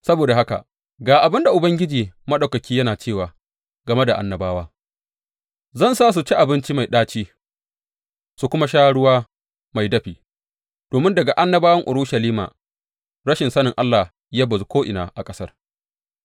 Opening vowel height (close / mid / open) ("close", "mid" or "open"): open